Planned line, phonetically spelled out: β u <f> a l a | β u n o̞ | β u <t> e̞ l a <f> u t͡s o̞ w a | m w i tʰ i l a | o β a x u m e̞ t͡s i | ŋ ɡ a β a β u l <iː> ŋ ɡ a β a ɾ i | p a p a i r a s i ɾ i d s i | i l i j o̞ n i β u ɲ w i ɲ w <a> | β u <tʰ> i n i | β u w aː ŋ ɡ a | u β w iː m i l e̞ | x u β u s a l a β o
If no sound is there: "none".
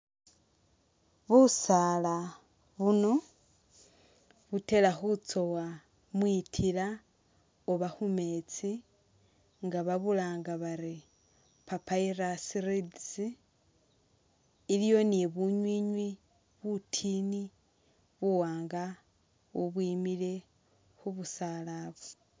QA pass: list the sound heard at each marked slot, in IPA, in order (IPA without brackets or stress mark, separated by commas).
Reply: s, t, x, aː, i, tʰ